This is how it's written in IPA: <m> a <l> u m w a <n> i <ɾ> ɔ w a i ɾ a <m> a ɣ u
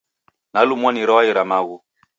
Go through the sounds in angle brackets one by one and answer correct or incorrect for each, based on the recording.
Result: incorrect, correct, correct, correct, correct

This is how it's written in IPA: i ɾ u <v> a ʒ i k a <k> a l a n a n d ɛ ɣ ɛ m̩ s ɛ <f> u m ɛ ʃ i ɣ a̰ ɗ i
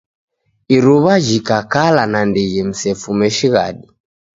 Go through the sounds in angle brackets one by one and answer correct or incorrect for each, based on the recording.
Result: incorrect, correct, correct

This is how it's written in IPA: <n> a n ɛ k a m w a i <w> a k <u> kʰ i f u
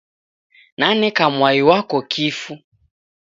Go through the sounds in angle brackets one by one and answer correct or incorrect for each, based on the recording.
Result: correct, correct, incorrect

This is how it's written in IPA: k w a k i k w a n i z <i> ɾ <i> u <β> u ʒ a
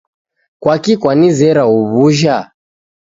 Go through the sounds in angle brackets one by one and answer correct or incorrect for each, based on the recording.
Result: incorrect, incorrect, correct

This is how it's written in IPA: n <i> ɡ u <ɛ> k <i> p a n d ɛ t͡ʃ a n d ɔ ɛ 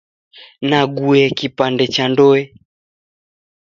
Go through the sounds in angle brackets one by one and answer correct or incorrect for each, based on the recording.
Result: incorrect, correct, correct

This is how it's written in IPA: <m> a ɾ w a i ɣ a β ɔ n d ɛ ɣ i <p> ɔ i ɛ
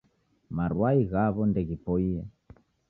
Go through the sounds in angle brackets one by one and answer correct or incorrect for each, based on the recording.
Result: correct, correct

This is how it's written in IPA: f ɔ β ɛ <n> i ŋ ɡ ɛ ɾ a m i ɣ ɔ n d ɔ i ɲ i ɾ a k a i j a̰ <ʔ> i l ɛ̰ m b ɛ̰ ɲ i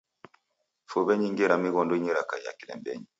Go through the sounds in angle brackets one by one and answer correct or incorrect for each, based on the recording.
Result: incorrect, incorrect

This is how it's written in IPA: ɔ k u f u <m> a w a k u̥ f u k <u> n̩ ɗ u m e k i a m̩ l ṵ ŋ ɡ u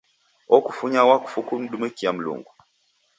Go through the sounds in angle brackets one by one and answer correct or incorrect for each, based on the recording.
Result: incorrect, correct

